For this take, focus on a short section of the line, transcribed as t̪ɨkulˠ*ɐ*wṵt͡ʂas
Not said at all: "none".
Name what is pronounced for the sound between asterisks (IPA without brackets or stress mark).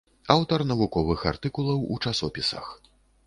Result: ɐ